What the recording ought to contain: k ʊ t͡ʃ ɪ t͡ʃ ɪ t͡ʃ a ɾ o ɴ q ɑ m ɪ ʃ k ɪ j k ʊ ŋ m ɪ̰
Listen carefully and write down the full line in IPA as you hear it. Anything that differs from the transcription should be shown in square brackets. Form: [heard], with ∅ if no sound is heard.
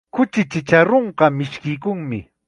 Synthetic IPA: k ʊ t͡ʃ ɪ t͡ʃ ɪ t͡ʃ a ɾ o ɴ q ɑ m ɪ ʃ k ɪ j k ʊ ŋ m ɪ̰